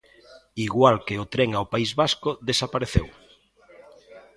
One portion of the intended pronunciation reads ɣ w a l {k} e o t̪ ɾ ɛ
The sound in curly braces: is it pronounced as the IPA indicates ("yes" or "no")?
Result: yes